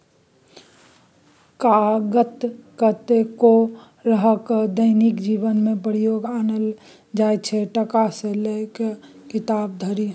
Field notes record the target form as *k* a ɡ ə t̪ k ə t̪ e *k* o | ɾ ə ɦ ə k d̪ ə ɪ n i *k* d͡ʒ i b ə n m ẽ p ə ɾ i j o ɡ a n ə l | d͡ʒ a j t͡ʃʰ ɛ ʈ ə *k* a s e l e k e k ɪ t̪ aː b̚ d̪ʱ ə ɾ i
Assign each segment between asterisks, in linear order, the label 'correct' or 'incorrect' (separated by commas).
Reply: correct, correct, correct, correct